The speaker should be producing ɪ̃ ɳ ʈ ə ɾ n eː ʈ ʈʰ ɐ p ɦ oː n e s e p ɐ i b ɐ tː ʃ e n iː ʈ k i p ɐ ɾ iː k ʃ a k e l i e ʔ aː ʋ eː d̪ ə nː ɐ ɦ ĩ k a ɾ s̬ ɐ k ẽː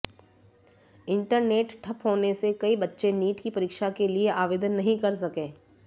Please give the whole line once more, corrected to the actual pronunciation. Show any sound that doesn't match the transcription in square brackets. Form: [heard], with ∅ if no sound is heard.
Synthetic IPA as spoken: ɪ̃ ɳ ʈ ə ɾ n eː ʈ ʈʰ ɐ p ɦ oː n e s e [k] ɐ i b ɐ tː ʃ e n iː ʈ k i p ɐ ɾ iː k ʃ a k e l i e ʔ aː ʋ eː d̪ ə nː ɐ ɦ ĩ k [ɐ] ɾ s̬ ɐ k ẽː

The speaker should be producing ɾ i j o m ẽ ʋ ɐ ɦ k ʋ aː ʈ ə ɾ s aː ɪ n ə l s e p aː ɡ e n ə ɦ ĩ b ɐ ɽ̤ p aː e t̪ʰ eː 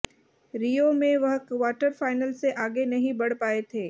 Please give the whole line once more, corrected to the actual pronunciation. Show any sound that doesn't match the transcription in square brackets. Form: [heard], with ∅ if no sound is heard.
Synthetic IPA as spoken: ɾ i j o m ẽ ʋ ɐ ɦ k ʋ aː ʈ ə ɾ [f] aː ɪ n ə l s e [ʔ] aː ɡ e n [ɐ] ɦ ĩ b ɐ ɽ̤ p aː e t̪ʰ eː

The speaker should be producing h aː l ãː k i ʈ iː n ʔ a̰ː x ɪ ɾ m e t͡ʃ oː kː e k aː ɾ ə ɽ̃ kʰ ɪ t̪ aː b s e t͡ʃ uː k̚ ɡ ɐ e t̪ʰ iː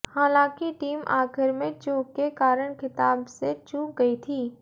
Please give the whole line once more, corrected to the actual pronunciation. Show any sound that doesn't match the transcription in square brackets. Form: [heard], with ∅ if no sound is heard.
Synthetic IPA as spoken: h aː l ãː k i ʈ iː [m] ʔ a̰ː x ɪ ɾ m [ẽ] t͡ʃ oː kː e k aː ɾ ə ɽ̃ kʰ ɪ t̪ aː b s e t͡ʃ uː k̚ ɡ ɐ [i] t̪ʰ iː

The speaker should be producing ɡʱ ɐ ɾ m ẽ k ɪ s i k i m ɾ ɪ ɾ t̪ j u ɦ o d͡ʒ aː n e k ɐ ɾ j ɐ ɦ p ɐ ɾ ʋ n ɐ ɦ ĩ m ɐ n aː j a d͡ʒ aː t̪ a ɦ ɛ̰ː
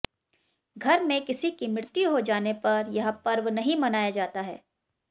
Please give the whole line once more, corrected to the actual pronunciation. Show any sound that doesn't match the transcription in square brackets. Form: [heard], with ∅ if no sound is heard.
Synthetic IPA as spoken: ɡʱ ɐ ɾ m ẽ k ɪ s i k i m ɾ ɪ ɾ t̪ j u ɦ o d͡ʒ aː n e [p] ɐ ɾ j ɐ ɦ p ɐ ɾ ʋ n ɐ ɦ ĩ m ɐ n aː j a d͡ʒ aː t̪ a ɦ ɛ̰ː

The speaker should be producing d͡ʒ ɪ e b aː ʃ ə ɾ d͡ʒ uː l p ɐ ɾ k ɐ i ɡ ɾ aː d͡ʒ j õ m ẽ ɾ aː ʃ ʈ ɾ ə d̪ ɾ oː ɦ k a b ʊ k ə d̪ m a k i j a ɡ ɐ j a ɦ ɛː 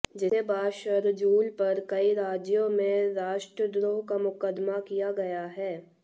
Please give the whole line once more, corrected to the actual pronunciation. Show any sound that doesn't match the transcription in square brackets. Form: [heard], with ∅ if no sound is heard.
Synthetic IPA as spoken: d͡ʒ ɪ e b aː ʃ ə ɾ d͡ʒ uː l p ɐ ɾ k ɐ i [∅] ɾ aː d͡ʒ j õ m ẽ ɾ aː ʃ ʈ ɾ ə d̪ ɾ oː ɦ k a [m] ʊ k ə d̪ m a k i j a ɡ ɐ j a ɦ ɛː

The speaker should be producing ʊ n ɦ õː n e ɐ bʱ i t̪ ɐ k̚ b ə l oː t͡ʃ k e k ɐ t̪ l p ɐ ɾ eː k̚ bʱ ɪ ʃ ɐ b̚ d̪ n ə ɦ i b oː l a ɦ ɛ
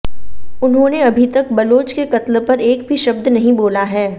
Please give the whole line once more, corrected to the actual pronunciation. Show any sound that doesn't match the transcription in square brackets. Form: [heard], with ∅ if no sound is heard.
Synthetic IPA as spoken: ʊ n ɦ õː n e ɐ bʱ i t̪ ɐ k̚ b [ɐ] l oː t͡ʃ k e k ɐ t̪ l p ɐ ɾ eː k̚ bʱ [i] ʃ ɐ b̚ d̪ n [ɐ] ɦ [ĩ] b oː l a ɦ [ɛː]

